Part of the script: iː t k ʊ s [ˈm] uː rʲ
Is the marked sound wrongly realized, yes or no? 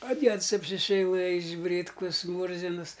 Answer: no